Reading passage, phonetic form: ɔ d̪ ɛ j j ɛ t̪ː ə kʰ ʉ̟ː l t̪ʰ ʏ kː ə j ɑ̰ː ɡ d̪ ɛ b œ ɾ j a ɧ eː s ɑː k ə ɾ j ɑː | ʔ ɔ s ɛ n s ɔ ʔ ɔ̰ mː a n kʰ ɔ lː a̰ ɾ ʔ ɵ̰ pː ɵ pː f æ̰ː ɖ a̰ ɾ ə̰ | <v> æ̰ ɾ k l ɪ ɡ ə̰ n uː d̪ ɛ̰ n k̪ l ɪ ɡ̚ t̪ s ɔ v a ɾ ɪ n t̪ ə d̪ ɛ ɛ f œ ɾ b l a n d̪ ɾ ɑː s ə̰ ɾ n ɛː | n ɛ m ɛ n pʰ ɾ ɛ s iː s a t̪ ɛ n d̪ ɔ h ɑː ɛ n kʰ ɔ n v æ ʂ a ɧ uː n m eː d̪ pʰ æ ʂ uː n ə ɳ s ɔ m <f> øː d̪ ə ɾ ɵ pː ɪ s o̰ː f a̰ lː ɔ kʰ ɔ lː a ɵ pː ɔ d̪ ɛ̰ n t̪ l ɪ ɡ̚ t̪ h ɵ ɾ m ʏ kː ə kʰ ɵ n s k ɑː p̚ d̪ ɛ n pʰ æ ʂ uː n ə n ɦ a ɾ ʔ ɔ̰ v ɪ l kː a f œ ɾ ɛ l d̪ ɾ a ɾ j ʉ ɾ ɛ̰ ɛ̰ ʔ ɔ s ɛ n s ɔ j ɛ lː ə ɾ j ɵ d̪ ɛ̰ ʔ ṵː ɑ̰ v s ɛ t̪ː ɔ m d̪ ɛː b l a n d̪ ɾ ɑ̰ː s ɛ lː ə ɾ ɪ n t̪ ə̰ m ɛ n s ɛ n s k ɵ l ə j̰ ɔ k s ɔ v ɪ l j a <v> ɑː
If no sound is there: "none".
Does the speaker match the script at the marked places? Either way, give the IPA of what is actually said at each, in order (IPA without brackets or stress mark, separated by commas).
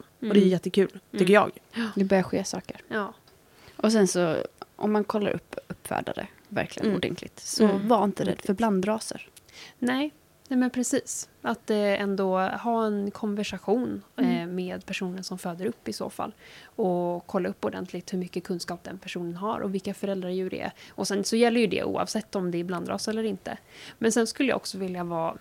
v, f, v